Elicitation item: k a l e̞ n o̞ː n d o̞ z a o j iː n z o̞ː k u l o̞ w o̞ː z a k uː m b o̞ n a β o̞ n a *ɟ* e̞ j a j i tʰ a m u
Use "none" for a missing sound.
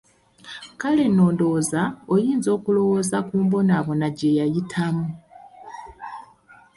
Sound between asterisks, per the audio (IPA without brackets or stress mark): ɟ